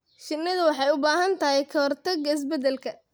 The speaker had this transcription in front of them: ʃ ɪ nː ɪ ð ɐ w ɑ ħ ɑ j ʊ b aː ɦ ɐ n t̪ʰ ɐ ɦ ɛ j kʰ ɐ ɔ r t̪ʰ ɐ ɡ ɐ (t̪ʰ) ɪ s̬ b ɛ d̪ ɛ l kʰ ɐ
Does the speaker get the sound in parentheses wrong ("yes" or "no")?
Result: yes